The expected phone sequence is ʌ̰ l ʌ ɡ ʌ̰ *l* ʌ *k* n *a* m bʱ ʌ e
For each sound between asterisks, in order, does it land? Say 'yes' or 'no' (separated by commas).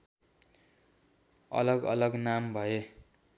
yes, no, yes